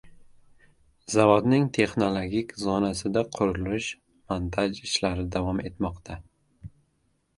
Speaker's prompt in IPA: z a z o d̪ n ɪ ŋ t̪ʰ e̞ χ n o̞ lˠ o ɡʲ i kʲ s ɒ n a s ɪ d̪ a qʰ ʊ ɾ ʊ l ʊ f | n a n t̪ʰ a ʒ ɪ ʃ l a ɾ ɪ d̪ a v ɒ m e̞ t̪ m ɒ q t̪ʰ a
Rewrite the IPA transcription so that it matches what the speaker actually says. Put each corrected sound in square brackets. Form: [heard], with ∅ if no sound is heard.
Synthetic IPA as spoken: z a [v] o d̪ n ɪ ŋ t̪ʰ e̞ χ n o̞ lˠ o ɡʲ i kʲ [z] ɒ n a s ɪ d̪ a qʰ ʊ ɾ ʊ l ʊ [ʃ] | [m] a n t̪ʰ a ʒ ɪ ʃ l a ɾ ɪ d̪ a v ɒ m e̞ t̪ m ɒ q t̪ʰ a